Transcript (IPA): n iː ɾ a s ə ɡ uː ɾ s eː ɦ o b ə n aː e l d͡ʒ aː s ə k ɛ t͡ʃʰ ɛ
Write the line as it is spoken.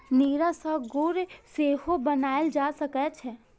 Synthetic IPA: n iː ɾ a s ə ɡ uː ɾ s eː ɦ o b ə n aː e l d͡ʒ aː s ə k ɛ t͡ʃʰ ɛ

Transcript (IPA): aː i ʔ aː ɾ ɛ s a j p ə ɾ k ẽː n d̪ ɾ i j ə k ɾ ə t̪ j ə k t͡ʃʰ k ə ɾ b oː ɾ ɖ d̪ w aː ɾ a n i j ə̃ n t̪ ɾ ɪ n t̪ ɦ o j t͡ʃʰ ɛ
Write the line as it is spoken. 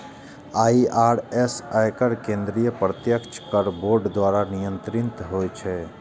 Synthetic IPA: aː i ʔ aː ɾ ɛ s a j k ə ɾ k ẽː n d̪ ɾ i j ə p ɾ ə t̪ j ə k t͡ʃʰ k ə ɾ b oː ɾ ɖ d̪ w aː ɾ a n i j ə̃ n t̪ ɾ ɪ n t̪ ɦ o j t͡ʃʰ ɛ

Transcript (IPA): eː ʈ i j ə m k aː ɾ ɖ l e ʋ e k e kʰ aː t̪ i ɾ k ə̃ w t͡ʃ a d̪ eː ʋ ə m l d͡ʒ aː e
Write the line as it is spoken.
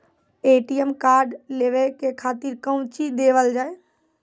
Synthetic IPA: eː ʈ i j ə m k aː ɾ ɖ l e ʋ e k e kʰ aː t̪ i ɾ k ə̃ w t͡ʃ i d̪ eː ʋ ə l d͡ʒ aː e

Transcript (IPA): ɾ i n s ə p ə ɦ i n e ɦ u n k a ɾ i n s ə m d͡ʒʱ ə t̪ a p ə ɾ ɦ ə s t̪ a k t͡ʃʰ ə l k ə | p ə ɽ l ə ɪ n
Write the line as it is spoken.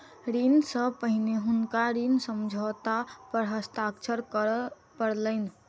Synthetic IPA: ɾ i n s ə p ə ɦ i n e ɦ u n k a ɾ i n s ə m d͡ʒʱ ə t̪ a p ə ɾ ɦ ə s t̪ a k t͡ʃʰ ə ɾ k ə | p ə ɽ l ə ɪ n

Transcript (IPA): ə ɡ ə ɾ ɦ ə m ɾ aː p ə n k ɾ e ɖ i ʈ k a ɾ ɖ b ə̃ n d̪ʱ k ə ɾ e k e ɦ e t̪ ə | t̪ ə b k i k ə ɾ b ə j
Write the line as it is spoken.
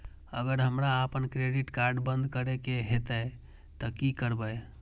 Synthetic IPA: ə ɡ ə ɾ ɦ ə m ɾ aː p ə n k ɾ e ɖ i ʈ k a ɾ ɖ b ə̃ n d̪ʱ k ə ɾ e k e ɦ e t̪ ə | t̪ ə k i k ə ɾ b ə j

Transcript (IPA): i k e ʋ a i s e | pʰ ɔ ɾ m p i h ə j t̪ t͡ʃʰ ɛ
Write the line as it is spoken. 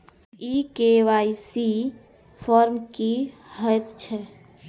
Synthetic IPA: i k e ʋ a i s i | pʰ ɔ ɾ m k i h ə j t̪ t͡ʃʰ ɛ

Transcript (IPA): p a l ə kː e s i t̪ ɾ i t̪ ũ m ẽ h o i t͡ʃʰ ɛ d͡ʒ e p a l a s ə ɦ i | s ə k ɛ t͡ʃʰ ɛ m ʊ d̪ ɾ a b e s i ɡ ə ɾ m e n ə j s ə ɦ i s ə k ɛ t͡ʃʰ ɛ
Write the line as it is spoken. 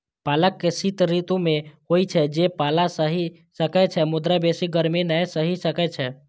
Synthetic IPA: p a l ə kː e s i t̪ ɾ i t̪ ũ m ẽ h o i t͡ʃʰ ɛ d͡ʒ e p a l a s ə ɦ i | s ə k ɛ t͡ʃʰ ɛ m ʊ d̪ ɾ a b e s i ɡ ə ɾ m e n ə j s ə ɦ i s ə k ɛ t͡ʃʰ ɛ

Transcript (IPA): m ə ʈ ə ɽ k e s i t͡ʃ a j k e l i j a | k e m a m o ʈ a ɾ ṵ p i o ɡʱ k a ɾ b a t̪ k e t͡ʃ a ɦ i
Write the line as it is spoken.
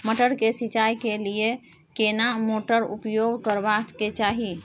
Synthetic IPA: m ə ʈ ə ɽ k e s i t͡ʃ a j k e l i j e | k e n a m o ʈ ə ɾ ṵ p j o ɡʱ k ə ɾ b a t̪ k e t͡ʃ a ɦ i

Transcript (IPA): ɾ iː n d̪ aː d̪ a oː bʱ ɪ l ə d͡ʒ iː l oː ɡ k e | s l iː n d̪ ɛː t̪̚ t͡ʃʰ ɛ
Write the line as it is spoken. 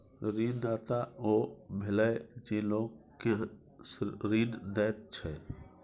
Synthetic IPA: ɾ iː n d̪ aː t̪ a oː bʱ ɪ l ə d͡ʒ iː l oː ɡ k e | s ɾ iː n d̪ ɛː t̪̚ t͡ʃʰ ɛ

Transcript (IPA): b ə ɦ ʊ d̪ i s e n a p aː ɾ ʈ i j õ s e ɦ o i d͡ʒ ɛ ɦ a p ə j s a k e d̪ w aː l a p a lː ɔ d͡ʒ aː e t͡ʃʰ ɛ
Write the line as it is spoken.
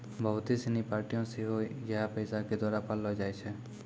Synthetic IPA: b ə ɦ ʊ t̪ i s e n i p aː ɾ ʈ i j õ s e ɦ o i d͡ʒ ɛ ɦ a p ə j s a k e d̪ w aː ɾ a p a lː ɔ d͡ʒ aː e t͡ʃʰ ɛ

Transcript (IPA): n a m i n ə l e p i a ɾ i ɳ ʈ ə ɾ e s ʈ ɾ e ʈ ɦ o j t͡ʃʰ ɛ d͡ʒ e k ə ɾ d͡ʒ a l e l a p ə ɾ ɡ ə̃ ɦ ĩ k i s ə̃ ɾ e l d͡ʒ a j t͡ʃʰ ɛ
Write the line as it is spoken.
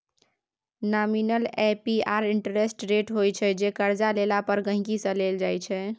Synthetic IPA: n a m i n ə l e p i a ɾ i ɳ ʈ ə ɾ e s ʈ ɾ e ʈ ɦ o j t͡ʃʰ ɛ d͡ʒ e k ə ɾ d͡ʒ a l e l a p ə ɾ ɡ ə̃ ɦ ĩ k i s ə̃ l e l d͡ʒ a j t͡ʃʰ ɛ

